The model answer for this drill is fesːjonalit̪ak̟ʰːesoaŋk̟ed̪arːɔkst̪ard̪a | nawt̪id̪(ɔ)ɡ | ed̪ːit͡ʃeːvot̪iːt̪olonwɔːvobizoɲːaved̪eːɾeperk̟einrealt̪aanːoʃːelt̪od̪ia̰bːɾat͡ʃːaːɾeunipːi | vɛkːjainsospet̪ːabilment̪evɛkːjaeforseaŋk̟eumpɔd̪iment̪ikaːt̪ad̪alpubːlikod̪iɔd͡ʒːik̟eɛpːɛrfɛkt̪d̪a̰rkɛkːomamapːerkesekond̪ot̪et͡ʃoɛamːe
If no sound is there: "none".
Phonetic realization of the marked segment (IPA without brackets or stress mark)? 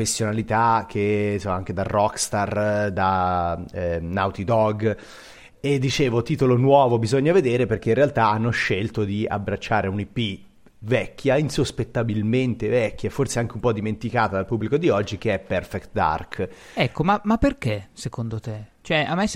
ɔ